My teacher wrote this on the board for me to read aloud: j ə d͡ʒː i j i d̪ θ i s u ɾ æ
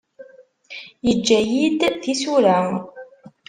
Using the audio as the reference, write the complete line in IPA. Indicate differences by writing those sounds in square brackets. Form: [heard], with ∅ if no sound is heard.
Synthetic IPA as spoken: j ə d͡ʒː [æ] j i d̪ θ i s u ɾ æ